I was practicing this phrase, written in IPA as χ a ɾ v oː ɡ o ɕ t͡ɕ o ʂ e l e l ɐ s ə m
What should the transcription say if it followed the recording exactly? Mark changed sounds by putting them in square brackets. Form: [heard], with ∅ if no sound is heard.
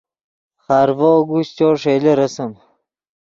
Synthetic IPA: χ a ɾ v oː ɡ [u] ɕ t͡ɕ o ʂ e l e [ɾ] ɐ s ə m